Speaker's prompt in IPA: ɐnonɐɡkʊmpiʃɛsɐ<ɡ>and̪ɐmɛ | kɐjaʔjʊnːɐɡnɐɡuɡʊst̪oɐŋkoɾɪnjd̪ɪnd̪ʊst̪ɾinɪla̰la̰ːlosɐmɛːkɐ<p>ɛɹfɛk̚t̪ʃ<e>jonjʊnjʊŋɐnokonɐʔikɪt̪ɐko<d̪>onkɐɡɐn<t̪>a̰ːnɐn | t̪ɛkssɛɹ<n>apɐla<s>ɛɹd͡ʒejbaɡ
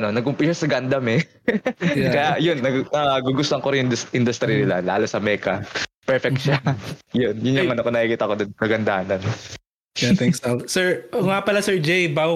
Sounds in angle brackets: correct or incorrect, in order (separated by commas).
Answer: correct, correct, incorrect, correct, incorrect, incorrect, correct